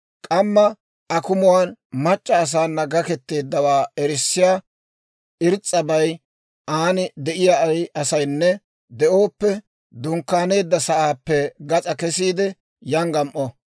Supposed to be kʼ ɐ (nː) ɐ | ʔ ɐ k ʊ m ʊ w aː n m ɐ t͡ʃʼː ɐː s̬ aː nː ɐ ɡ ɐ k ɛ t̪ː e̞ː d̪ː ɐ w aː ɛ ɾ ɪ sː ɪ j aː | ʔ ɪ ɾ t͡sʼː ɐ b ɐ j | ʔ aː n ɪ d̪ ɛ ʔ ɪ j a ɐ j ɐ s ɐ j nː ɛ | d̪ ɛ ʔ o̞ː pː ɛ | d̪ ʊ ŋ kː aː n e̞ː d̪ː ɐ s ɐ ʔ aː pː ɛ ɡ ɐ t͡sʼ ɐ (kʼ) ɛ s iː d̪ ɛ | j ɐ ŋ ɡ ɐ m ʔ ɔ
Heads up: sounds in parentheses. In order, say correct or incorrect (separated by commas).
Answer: incorrect, incorrect